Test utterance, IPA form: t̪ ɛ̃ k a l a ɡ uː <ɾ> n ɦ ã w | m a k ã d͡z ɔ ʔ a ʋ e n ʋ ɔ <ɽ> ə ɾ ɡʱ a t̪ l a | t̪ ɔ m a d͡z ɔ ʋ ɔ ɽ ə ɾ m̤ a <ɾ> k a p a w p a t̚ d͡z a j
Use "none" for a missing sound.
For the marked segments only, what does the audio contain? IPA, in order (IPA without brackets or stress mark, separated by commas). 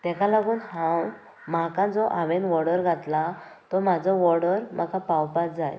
none, ɽ, none